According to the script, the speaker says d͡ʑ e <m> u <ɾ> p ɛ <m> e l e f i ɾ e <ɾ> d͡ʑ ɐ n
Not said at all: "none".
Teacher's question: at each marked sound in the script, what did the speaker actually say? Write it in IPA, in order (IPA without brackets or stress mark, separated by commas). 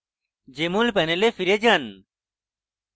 m, l, n, none